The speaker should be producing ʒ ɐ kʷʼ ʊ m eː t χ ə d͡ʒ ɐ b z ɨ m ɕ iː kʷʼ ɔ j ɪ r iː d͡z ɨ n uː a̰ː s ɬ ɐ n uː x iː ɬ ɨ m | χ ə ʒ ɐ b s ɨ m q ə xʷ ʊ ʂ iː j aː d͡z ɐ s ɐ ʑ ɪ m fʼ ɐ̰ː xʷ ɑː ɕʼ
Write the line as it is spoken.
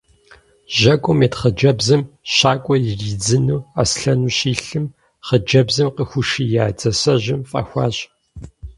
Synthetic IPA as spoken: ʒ ɐ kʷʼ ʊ m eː t χ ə d͡ʒ ɐ b z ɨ m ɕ aː kʷʼ ɔ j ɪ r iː d͡z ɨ n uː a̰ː s ɬ ɐ n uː ɕ iː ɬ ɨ m | χ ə d͡ʒ ɐ b z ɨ m q ə xʷ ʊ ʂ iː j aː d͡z ɐ s ɐ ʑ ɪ m fʼ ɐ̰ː xʷ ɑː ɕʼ